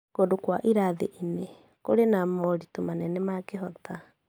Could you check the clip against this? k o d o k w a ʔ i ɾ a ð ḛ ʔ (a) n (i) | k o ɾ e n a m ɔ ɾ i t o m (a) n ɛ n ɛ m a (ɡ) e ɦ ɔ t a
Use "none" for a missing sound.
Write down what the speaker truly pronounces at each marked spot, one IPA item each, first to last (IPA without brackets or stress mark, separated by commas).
i, e, a, k